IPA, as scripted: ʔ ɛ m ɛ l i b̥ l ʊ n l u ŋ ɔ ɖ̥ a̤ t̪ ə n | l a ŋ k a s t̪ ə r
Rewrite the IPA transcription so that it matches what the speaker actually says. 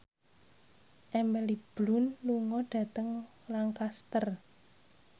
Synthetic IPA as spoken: ʔ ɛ m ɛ l i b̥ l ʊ n l u ŋ ɔ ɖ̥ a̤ t̪ ə ŋ | l a ŋ k a s t̪ ə r